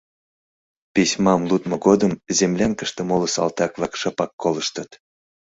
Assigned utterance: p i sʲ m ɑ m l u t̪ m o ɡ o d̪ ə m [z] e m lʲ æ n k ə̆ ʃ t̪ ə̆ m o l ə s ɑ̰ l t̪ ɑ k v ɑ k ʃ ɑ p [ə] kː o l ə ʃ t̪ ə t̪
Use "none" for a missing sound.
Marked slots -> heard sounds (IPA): z, ɑ

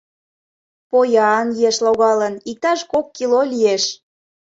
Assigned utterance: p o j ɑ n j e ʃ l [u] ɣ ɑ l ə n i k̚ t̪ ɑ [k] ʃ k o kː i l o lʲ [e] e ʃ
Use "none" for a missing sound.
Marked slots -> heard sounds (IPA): o, none, i

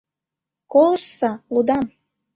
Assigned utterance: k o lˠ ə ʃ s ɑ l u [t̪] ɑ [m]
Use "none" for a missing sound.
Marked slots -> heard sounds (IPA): d̪, m

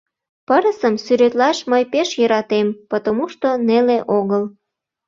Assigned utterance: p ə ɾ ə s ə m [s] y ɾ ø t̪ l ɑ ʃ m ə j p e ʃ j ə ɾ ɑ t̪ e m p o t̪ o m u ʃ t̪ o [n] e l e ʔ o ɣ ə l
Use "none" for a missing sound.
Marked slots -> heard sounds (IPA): s, n

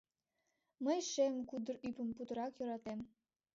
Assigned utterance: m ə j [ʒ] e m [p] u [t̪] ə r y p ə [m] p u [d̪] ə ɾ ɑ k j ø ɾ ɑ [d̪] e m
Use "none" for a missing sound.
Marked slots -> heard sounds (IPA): ʃ, k, d̪, m, t̪, t̪

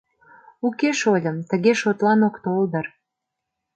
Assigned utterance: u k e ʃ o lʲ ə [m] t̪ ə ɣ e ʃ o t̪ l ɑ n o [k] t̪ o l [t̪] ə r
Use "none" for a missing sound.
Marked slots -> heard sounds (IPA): m, k, d̪

